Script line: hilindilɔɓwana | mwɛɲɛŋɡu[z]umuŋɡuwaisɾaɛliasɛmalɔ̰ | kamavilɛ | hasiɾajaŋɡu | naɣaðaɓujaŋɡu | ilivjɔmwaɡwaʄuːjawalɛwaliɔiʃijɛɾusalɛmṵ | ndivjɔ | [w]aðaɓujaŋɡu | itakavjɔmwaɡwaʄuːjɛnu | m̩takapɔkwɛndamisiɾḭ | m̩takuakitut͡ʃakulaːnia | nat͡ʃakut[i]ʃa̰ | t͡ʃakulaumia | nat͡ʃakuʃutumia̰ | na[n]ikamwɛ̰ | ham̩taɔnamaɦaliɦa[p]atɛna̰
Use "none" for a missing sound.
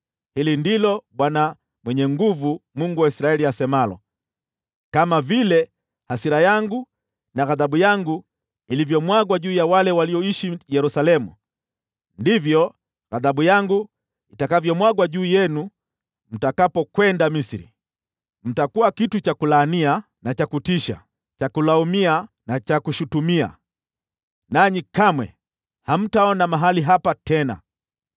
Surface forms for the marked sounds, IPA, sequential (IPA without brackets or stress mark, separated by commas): v, ɣ, i, ɲ, p